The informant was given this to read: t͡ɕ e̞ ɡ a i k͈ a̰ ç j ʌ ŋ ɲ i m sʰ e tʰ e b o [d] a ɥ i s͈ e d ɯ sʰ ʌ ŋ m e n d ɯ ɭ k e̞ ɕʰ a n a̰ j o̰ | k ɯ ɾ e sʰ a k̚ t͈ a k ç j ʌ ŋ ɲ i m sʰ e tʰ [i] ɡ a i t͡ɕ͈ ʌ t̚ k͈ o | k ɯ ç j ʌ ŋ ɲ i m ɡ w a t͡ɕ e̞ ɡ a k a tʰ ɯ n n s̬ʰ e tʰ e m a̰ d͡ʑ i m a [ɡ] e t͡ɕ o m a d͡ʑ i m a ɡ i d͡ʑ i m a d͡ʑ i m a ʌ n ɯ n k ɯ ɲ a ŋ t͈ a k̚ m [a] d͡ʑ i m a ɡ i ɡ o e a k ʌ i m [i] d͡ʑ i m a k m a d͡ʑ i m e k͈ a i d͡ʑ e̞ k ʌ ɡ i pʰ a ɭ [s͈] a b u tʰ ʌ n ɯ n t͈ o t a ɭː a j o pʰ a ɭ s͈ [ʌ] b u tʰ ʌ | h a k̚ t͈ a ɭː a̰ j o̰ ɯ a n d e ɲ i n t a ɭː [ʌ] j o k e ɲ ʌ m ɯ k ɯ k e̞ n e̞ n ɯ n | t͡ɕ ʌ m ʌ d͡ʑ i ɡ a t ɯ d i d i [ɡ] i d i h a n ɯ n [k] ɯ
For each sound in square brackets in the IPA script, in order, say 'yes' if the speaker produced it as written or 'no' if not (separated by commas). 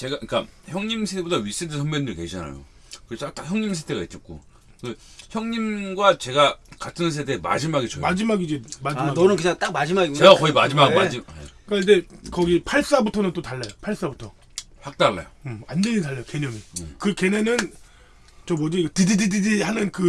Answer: yes, no, yes, yes, no, yes, no, no, no, yes